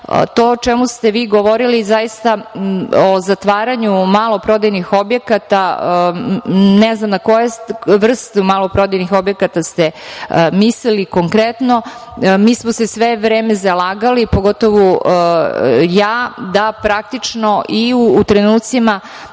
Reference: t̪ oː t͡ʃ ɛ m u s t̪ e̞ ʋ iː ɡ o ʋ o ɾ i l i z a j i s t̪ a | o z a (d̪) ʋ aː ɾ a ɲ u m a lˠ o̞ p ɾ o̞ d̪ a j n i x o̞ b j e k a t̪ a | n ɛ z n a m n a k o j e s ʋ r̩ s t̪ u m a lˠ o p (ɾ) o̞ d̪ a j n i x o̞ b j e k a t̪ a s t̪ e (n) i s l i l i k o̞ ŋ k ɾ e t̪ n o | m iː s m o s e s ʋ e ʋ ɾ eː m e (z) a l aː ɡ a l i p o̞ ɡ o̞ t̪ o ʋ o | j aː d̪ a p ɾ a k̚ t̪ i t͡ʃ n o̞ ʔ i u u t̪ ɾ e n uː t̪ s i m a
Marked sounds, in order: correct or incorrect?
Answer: incorrect: t̪, correct, incorrect: m, correct

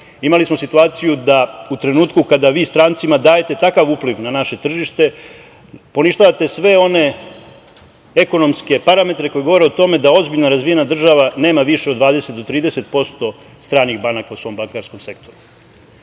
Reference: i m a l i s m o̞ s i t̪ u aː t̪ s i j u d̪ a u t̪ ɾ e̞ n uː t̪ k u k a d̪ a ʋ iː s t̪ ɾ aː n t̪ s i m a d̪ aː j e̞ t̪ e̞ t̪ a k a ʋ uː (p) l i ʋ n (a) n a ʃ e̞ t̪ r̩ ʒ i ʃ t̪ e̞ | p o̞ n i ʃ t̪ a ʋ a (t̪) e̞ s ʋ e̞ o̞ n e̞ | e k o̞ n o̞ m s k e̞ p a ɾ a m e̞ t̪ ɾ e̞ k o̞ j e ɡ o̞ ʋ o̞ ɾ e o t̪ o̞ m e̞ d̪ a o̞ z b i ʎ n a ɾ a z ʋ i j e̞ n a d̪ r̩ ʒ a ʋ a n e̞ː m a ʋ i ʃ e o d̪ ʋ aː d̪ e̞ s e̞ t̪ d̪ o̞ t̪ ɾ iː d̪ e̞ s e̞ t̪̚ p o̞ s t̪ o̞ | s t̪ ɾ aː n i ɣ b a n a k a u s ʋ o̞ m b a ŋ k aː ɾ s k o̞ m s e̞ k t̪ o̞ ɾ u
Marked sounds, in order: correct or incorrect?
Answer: correct, correct, correct

